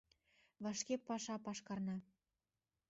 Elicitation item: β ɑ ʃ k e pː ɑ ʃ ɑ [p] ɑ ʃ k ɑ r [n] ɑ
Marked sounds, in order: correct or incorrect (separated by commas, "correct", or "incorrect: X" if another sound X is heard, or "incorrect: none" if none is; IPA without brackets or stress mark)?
correct, correct